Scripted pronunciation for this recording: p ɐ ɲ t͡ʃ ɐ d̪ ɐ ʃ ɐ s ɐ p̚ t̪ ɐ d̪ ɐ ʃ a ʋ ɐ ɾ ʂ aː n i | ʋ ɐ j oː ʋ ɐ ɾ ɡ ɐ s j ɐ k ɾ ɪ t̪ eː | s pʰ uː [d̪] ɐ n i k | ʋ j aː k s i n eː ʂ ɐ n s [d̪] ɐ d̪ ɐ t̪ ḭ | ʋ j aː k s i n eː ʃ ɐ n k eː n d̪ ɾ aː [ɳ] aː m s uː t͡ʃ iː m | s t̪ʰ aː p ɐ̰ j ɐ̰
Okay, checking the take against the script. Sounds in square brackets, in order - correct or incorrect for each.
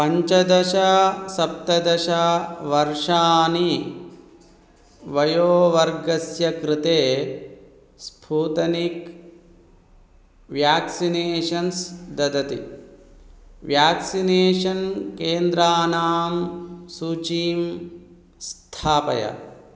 incorrect: t̪, correct, incorrect: n

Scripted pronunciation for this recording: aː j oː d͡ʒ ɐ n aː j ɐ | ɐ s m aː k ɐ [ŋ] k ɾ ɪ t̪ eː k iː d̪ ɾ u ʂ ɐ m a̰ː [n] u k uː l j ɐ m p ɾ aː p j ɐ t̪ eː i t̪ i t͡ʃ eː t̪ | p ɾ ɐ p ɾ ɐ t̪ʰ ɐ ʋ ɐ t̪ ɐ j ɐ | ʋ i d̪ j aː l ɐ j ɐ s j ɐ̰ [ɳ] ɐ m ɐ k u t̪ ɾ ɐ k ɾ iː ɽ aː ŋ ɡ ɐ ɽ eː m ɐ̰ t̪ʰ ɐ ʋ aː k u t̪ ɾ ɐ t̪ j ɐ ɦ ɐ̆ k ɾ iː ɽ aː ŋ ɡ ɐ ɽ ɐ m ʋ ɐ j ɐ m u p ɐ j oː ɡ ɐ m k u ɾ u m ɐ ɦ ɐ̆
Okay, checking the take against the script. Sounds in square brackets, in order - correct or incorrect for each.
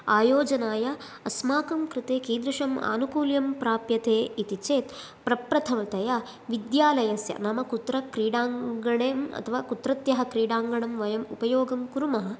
incorrect: m, correct, incorrect: n

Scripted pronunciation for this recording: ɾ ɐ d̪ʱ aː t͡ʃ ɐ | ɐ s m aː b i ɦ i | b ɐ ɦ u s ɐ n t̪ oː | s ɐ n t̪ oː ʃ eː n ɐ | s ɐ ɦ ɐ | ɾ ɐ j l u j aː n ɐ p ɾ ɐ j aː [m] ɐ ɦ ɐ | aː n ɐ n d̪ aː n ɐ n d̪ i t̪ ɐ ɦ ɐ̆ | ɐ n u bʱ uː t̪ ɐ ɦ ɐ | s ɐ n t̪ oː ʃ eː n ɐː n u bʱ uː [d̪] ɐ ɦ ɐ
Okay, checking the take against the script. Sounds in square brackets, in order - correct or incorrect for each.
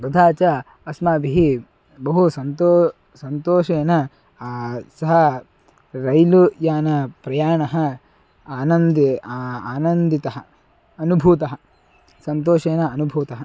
incorrect: ɳ, incorrect: t̪

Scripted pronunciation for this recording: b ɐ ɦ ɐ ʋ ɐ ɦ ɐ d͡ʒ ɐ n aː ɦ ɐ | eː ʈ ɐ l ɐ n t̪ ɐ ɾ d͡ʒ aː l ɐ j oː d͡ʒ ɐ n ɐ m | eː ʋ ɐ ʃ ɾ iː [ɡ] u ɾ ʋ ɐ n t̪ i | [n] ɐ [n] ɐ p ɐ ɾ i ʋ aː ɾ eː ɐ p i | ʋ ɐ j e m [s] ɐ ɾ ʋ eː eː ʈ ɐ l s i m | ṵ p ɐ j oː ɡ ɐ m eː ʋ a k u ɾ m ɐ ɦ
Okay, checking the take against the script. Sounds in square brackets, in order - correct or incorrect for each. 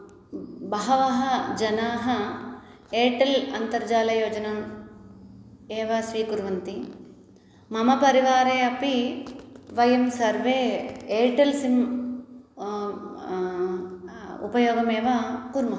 incorrect: k, incorrect: m, incorrect: m, correct

